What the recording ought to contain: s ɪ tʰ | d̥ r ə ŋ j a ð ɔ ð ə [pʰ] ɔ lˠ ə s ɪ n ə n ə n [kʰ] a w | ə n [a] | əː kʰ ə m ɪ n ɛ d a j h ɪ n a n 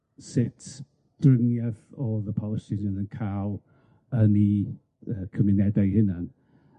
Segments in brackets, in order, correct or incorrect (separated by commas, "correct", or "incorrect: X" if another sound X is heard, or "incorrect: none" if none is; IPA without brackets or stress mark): correct, correct, incorrect: i